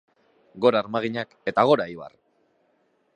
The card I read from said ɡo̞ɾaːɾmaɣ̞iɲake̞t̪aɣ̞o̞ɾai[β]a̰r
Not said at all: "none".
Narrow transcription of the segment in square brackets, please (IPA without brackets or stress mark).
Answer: β